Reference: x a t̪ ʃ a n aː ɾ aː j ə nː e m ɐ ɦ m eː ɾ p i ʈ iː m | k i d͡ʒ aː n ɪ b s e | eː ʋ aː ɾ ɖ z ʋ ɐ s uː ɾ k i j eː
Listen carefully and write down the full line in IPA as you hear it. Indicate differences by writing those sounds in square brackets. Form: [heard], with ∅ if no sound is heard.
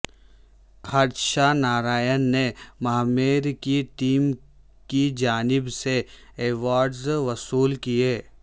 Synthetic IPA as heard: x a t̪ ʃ a n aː ɾ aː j ə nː e m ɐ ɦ m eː ɾ [k] i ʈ iː m | k i d͡ʒ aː n ɪ b s e | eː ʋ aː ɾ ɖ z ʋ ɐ s uː [l] k i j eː

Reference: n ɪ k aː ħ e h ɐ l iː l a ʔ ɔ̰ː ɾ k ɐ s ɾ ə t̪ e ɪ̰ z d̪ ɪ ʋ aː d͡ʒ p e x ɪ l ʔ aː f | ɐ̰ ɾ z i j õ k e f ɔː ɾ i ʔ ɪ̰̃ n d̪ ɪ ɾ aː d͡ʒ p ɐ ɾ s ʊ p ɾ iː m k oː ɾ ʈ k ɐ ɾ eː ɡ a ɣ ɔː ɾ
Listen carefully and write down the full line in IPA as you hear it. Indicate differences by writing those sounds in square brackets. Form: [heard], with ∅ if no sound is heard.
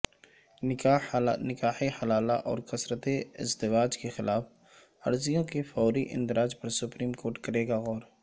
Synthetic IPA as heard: n ɪ k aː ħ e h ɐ l [aː] l a ʔ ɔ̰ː ɾ k ɐ s ɾ ə t̪ e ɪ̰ z d̪ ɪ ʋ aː d͡ʒ [k] e x ɪ l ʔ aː f | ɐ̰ ɾ z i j õ k e f ɔː ɾ i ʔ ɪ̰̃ n d̪ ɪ ɾ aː d͡ʒ p ɐ ɾ s ʊ p ɾ iː m k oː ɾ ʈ k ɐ ɾ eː ɡ a ɣ ɔː ɾ

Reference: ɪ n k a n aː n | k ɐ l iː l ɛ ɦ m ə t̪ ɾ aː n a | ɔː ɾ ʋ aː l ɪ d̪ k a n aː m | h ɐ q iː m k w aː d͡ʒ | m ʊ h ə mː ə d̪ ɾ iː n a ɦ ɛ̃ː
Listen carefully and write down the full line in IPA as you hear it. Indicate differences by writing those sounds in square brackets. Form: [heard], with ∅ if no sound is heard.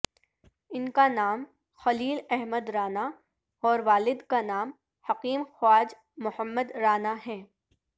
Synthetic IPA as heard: ɪ n k a n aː [m] | [x] ɐ l iː l ɛ ɦ m ə [d̪] ɾ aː n a | ɔː ɾ ʋ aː l ɪ d̪ k a n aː m | h ɐ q iː m [x] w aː d͡ʒ | m ʊ h ə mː ə d̪ ɾ [aː] n a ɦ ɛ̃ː

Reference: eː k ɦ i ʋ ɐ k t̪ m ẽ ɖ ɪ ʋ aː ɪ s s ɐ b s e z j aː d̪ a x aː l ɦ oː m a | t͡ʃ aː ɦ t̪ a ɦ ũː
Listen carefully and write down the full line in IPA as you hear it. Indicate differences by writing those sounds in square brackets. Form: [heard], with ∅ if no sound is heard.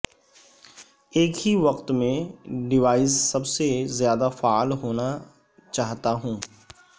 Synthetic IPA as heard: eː k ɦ i ʋ ɐ [q] t̪ m ẽ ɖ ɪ ʋ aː ɪ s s ɐ b s e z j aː d̪ a [f] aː l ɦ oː [n] a | t͡ʃ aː ɦ t̪ a ɦ ũː

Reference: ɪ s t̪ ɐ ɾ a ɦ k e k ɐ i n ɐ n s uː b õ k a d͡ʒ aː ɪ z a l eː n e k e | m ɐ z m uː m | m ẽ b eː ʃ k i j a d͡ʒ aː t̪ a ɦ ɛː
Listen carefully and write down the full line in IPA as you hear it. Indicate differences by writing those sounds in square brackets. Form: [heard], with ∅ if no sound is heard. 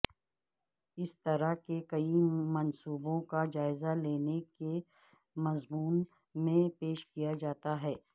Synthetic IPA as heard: ɪ s t̪ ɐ ɾ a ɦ k e k ɐ i [m] ɐ n s uː b õ k a d͡ʒ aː ɪ z a l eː n e k e | m ɐ z m uː [n] | m ẽ [p] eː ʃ k i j a d͡ʒ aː t̪ a ɦ ɛː

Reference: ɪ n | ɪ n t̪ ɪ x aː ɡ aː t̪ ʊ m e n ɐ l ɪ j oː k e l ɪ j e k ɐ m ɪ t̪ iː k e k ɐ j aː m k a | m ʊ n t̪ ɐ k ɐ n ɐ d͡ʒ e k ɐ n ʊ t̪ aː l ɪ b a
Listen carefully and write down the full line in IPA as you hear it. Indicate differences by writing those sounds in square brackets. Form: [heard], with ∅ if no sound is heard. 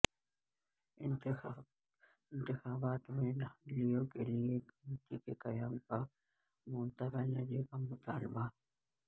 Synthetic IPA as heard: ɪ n | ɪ n t̪ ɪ x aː [b] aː t̪ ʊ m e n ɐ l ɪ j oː k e l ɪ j e k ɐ m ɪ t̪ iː k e k ɐ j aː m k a | m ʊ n t̪ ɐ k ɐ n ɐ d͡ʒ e k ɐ [m] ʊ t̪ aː l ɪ b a

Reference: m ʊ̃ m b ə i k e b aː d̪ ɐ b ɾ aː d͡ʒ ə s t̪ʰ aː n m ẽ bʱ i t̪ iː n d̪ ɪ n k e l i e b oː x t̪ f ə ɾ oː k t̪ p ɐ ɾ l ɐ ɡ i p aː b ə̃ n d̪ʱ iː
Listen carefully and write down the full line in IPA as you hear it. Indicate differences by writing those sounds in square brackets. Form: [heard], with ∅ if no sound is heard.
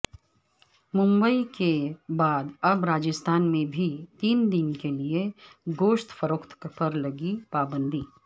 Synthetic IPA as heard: m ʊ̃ m b ə i k e b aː d̪ ɐ b ɾ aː d͡ʒ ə s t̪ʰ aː n m ẽ bʱ i t̪ iː n d̪ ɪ n k e l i e [ɡ] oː [ʃ] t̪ f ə ɾ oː k t̪ p ɐ ɾ l ɐ ɡ i p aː b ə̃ n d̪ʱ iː

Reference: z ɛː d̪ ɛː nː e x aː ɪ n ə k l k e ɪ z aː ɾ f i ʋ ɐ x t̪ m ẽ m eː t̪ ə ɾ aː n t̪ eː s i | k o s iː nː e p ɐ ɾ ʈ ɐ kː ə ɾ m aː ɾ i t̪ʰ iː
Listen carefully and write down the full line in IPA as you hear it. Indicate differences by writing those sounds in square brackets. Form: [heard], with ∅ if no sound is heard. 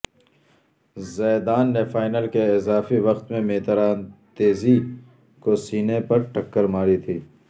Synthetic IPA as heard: z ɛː d̪ [aː] nː e [f] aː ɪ n ə [∅] l k e ɪ z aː [∅] f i ʋ ɐ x t̪ m ẽ m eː t̪ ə ɾ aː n t̪ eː [z] i | k o s iː [n] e p ɐ ɾ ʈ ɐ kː ə ɾ m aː ɾ i t̪ʰ iː

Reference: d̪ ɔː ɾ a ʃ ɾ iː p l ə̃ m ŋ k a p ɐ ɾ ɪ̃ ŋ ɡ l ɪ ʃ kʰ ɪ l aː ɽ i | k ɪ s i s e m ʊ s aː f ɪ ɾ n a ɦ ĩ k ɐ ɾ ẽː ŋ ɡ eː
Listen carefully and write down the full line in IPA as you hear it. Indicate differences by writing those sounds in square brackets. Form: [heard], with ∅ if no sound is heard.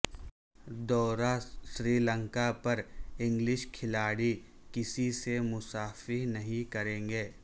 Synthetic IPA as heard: d̪ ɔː ɾ a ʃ ɾ iː [∅] l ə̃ [∅] ŋ k a p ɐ ɾ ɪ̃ ŋ ɡ l ɪ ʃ kʰ ɪ l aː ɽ i | k ɪ s i s e m ʊ s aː f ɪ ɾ n [ɐ] ɦ ĩ k ɐ ɾ ẽː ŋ ɡ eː

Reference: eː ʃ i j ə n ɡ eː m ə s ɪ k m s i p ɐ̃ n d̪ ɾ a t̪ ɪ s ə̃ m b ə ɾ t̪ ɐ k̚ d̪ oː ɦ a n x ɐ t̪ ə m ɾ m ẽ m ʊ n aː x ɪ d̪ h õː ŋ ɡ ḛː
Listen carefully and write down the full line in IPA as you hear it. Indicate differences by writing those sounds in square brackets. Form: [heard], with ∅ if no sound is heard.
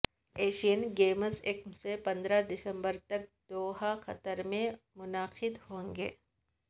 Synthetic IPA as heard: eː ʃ i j ə n ɡ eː m ə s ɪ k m s [e] p ɐ̃ n d̪ ɾ a [d̪] ɪ s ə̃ m b ə ɾ t̪ ɐ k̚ d̪ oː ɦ a [∅] x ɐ t̪ ə [∅] ɾ m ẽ m ʊ n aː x ɪ d̪ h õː ŋ ɡ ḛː

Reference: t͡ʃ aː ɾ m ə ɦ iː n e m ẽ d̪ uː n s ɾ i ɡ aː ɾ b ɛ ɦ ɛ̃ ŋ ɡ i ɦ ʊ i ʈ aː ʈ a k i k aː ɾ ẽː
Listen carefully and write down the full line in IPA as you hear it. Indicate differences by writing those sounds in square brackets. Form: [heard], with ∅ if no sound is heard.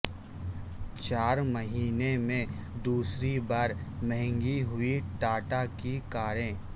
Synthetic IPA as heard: t͡ʃ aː ɾ m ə ɦ iː n e m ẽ d̪ uː [∅] s ɾ i [b] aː ɾ [m] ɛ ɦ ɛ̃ ŋ ɡ i ɦ ʊ i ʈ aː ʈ a k i k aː ɾ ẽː

